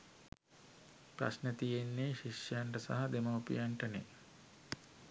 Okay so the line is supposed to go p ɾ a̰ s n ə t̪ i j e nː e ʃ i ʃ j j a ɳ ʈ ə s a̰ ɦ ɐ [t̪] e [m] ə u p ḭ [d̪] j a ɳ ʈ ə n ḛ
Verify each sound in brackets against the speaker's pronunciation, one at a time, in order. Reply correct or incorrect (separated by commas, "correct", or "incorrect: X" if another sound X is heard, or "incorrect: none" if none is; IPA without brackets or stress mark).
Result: incorrect: d̪, correct, incorrect: none